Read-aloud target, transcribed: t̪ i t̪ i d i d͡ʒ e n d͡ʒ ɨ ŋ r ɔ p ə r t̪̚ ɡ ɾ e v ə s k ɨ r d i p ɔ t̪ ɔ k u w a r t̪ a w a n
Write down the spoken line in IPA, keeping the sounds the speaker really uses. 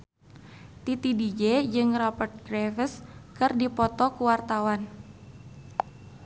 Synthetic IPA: t̪ i t̪ i d i d͡ʒ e d͡ʒ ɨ ŋ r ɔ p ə r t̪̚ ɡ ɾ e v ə s k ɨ r d i p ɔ t̪ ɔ k u w a r t̪ a w a n